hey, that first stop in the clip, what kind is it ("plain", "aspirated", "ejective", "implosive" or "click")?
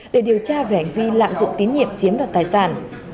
implosive